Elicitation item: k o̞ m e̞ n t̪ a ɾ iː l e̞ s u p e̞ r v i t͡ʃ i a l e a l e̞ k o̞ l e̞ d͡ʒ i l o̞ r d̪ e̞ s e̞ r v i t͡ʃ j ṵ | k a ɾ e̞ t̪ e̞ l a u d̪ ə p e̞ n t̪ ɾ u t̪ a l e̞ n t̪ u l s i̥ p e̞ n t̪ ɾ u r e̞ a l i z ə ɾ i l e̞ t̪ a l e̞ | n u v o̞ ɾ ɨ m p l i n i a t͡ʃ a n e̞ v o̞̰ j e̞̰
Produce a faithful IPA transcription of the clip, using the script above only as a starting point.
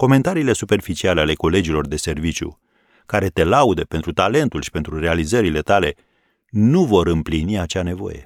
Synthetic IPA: k o̞ m e̞ n t̪ a ɾ iː l e̞ s u p e̞ r f i t͡ʃ i a l e a l e̞ k o̞ l e̞ d͡ʒ i l o̞ r d̪ e̞ s e̞ r v i t͡ʃ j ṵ | k a ɾ e̞ t̪ e̞ l a u d̪ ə p e̞ n t̪ ɾ u t̪ a l e̞ n t̪ u l ʃ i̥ p e̞ n t̪ ɾ u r e̞ a l i z ə ɾ i l e̞ t̪ a l e̞ | n u v o̞ ɾ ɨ m p l i n i a t͡ʃ a n e̞ v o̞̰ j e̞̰